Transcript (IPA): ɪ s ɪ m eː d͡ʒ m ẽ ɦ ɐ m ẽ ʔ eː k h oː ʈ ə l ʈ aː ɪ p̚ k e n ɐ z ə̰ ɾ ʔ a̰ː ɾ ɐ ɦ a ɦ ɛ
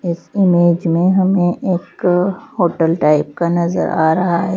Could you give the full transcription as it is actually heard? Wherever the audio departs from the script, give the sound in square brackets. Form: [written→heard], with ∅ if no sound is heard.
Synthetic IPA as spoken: ɪ s ɪ m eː d͡ʒ m ẽ ɦ ɐ m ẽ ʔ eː k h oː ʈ ə l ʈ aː ɪ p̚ k [e→a] n ɐ z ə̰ ɾ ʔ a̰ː ɾ ɐ ɦ a ɦ ɛ